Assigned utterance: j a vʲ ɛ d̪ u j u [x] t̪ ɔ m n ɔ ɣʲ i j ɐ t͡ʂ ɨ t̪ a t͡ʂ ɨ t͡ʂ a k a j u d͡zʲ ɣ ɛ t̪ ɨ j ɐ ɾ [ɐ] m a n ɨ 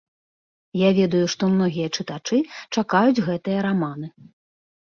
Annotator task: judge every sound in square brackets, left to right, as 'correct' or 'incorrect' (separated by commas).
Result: incorrect, incorrect